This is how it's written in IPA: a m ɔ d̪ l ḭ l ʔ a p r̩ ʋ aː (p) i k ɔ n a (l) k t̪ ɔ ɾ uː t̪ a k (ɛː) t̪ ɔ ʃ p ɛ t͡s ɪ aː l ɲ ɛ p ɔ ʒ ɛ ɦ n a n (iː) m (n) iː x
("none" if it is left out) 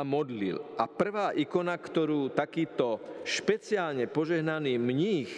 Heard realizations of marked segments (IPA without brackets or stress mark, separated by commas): ʔ, none, iː, iː, ɲ